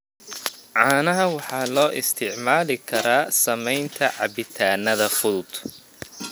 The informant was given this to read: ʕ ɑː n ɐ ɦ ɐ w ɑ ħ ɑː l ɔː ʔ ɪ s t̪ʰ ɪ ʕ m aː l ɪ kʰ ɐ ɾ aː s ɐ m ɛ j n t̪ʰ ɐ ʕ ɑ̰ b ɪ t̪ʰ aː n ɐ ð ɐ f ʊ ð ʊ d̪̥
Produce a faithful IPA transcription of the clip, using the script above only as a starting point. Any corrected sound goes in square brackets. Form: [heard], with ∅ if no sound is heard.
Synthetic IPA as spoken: ʕ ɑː n ɐ ɦ ɐ w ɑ ħ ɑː l ɔː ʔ ɪ s t̪ʰ ɪ ʕ m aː l ɪ kʰ ɐ ɾ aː s ɐ m ɛ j n t̪ʰ ɐ ʕ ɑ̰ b ɪ t̪ʰ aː n ɐ ð ɐ f ʊ ð ʊ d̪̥